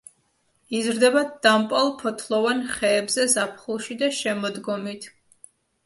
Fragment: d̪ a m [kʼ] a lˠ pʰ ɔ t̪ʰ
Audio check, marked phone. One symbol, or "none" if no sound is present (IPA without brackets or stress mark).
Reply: pʼ